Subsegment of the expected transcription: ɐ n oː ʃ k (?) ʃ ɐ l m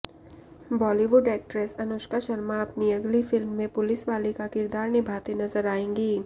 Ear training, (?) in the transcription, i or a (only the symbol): a